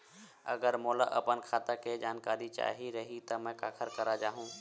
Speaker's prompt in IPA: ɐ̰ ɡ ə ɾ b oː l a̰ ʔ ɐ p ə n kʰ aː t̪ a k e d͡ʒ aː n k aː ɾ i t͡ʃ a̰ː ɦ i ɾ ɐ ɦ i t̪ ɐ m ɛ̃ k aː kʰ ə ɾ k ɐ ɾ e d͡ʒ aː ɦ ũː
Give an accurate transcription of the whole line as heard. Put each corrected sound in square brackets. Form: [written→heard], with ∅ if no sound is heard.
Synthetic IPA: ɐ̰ ɡ ə ɾ [b→m] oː l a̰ ʔ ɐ p ə n kʰ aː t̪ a k e d͡ʒ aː n k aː ɾ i t͡ʃ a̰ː ɦ i ɾ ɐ ɦ i t̪ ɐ m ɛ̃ k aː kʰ ə ɾ k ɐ ɾ [e→a] d͡ʒ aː ɦ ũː